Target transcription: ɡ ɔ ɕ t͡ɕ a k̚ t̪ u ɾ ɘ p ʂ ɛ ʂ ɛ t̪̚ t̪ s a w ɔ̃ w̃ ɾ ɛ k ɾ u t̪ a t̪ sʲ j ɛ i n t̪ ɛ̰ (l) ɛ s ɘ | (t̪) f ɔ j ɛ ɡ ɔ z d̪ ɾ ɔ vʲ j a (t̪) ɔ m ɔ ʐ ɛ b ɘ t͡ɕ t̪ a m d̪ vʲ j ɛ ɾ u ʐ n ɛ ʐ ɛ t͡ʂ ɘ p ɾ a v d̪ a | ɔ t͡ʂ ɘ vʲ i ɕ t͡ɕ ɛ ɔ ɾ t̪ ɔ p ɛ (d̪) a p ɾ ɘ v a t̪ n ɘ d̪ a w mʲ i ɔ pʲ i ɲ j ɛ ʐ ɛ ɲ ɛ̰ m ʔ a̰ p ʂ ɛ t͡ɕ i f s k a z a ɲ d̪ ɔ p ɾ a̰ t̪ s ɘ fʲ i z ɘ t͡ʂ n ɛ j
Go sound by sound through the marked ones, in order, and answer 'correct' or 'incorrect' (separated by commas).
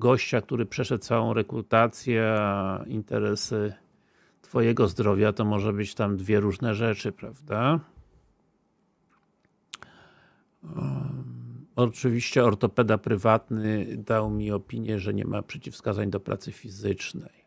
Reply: incorrect, correct, correct, correct